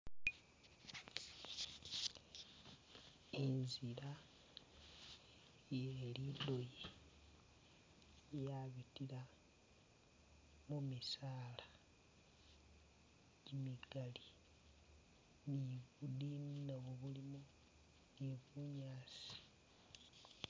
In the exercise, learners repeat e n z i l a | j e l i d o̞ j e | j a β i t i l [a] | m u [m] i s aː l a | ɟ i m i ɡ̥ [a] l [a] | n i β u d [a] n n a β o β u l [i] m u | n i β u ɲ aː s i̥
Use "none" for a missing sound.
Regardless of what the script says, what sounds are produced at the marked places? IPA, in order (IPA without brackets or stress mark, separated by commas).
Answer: a, m, a, i, i, i